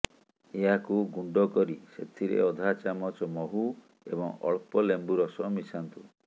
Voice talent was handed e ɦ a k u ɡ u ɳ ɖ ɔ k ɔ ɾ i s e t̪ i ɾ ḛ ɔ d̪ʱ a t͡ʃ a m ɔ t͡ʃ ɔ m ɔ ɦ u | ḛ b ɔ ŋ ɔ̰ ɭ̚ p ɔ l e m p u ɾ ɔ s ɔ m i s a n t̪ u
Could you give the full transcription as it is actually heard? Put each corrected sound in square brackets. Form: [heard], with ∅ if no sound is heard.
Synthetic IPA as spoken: e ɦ a k u ɡ u ɳ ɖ ɔ k ɔ ɾ i s e [t̪ʰ] i ɾ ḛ ɔ d̪ʱ a t͡ʃ a m ɔ t͡ʃ ɔ m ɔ ɦ u | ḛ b ɔ ŋ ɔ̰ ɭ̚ p ɔ l e m [b] u ɾ ɔ s ɔ m i s a n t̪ u